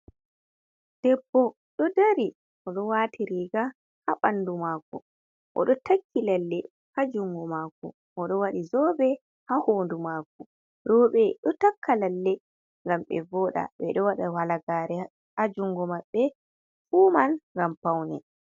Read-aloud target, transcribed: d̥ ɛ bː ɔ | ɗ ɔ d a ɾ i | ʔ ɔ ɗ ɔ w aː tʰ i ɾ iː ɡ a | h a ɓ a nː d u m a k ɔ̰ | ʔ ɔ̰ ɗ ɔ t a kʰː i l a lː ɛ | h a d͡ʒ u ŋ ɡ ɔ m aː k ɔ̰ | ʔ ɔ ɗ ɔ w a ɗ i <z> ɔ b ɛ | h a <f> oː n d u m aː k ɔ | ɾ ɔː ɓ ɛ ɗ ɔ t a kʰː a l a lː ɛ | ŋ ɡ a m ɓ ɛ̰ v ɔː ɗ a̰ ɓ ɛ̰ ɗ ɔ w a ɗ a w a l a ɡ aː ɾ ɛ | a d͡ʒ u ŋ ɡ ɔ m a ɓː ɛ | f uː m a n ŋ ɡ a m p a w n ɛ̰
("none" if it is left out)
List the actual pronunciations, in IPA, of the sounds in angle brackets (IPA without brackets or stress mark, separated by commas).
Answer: z, h